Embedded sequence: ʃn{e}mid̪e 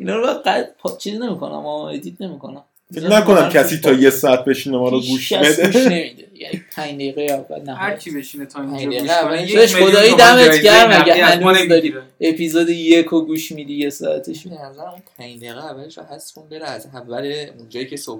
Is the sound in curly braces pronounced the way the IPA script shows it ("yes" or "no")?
yes